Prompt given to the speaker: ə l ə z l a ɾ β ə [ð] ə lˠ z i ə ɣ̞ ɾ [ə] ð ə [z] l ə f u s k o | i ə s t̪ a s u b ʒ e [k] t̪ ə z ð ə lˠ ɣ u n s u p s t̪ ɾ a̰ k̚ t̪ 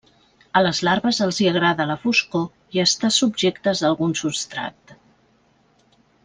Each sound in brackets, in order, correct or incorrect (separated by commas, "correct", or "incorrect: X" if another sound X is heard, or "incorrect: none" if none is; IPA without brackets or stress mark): incorrect: z, incorrect: a, incorrect: none, correct